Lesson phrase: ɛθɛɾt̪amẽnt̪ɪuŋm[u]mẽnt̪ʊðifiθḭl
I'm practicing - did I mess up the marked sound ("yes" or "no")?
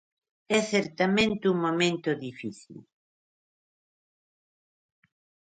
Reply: yes